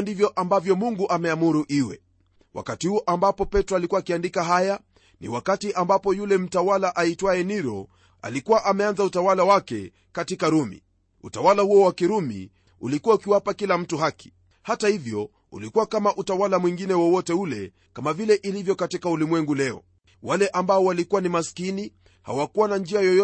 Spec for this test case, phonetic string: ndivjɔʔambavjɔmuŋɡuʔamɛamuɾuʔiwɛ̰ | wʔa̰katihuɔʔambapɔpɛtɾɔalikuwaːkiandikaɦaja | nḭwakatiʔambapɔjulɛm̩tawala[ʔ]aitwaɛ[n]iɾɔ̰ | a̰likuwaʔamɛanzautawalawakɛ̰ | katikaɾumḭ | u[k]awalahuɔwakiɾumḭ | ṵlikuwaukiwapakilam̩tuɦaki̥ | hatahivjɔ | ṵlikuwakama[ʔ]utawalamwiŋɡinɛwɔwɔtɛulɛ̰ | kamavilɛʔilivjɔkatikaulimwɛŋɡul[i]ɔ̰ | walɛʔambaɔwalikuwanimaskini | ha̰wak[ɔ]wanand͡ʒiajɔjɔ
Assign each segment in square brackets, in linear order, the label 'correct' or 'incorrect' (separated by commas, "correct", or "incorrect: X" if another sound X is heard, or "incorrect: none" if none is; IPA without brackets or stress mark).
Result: correct, correct, incorrect: t, correct, incorrect: ɛ, incorrect: u